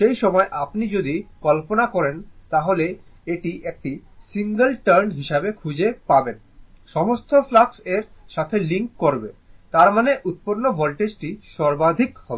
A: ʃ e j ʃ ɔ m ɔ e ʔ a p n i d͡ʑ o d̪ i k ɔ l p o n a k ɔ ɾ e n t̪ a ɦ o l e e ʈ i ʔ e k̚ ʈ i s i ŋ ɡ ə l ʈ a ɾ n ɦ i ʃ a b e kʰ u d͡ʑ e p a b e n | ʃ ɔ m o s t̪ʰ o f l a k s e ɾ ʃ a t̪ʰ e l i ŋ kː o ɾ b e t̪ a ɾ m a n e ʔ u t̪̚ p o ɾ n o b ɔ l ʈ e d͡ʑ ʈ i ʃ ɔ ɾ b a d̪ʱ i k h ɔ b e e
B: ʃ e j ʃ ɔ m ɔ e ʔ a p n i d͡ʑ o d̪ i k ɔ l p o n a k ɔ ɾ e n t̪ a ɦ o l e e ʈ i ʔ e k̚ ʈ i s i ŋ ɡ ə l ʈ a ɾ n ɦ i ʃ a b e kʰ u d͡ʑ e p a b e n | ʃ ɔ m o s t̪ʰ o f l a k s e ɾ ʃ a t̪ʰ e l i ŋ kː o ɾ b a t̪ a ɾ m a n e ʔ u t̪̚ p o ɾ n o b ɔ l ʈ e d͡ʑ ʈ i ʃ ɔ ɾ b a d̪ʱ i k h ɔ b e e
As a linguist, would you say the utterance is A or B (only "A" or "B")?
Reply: A